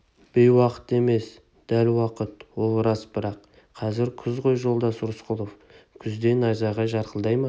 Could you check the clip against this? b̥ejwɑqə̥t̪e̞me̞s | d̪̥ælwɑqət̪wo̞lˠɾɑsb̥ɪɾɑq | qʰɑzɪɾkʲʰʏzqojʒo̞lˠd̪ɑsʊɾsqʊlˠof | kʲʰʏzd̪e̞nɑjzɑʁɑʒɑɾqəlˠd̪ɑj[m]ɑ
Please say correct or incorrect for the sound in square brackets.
correct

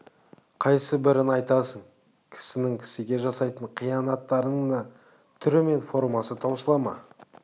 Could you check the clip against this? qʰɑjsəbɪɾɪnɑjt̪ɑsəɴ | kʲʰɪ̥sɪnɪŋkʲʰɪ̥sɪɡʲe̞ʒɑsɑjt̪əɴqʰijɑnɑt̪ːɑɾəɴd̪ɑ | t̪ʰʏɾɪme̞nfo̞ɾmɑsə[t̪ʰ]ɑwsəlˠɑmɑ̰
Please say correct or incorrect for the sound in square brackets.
correct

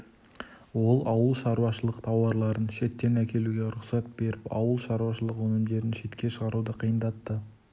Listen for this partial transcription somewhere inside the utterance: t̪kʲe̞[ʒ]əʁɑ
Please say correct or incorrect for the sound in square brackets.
incorrect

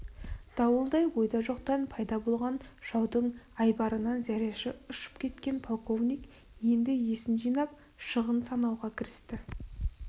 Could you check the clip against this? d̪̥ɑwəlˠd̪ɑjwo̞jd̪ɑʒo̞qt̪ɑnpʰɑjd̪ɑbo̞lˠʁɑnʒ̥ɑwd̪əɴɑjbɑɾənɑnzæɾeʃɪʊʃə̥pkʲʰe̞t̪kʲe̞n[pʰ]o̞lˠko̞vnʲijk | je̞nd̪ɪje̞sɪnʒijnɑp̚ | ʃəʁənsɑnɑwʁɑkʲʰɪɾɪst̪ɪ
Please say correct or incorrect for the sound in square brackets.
correct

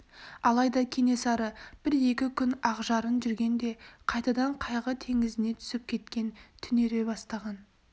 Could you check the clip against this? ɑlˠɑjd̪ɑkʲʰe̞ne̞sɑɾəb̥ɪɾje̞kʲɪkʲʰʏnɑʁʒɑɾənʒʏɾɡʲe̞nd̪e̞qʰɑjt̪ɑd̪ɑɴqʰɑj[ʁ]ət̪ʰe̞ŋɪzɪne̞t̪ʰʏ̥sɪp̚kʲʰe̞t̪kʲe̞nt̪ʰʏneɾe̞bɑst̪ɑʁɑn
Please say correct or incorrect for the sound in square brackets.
correct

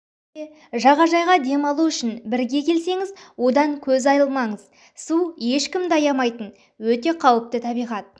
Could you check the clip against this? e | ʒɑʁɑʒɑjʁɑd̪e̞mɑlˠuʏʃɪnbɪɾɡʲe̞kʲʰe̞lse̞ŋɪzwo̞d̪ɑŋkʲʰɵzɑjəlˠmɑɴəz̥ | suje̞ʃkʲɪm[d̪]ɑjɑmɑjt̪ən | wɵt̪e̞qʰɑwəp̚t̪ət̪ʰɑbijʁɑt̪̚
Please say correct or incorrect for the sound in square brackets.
correct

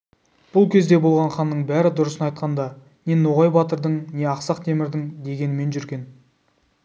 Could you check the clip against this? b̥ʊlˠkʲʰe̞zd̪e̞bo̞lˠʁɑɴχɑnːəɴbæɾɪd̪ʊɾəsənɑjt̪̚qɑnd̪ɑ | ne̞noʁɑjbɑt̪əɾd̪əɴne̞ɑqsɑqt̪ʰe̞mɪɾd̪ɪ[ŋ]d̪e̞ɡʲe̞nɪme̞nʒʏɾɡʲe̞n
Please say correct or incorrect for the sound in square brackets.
correct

